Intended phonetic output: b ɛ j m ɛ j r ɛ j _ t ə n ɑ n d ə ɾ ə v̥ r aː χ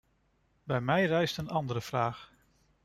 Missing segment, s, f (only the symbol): s